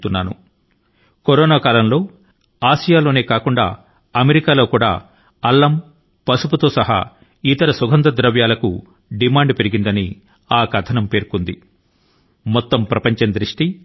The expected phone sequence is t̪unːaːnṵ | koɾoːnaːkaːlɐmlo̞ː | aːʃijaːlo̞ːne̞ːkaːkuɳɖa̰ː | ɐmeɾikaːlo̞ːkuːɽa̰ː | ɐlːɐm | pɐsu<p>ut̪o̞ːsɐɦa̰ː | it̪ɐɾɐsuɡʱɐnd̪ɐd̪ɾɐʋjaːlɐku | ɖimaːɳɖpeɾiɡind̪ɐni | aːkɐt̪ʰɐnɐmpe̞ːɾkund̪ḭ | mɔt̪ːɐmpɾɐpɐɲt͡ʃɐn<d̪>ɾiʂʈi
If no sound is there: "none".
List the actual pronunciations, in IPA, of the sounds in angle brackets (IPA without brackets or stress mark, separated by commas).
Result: p, d̪